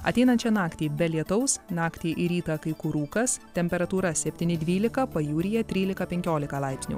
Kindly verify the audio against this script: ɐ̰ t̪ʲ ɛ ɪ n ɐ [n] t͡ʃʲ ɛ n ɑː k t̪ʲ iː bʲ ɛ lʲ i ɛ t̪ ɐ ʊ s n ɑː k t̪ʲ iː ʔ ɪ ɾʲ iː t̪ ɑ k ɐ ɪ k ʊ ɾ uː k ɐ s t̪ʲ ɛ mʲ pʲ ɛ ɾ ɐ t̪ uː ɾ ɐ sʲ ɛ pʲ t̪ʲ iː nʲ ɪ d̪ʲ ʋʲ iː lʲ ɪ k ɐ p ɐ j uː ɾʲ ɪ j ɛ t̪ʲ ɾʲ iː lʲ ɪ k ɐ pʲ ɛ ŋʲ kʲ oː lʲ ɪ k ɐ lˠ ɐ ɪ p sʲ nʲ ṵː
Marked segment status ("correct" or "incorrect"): correct